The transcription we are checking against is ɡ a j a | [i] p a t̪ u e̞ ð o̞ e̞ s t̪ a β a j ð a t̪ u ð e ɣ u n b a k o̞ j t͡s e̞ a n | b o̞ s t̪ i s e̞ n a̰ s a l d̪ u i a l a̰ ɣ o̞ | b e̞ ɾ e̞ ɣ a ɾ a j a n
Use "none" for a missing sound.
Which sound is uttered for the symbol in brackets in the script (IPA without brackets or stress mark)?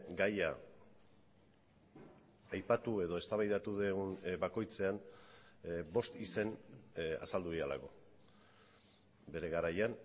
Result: j